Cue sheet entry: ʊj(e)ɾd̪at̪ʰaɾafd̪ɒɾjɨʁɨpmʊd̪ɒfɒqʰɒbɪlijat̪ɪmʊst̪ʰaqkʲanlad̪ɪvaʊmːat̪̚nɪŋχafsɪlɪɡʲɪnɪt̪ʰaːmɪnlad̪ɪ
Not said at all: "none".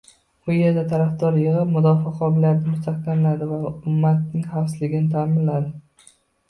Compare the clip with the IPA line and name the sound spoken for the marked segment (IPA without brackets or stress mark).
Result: e